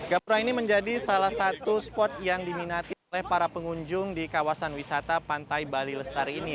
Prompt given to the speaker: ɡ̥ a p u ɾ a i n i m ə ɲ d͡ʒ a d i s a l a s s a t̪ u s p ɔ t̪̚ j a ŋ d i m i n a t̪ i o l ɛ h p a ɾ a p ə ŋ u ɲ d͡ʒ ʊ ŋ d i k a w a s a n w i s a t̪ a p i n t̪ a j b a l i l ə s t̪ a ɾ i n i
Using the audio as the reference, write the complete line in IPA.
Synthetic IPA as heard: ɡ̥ a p u ɾ a i n i m ə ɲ d͡ʒ a d i s a l a h s a t̪ u s p ɔ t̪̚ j a ŋ d i m i n a t̪ i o l ɛ h p a ɾ a p ə ŋ u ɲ d͡ʒ ʊ ŋ d i k a w a s a n w i s a t̪ a p a n t̪ a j b a l i l ə s t̪ a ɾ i n i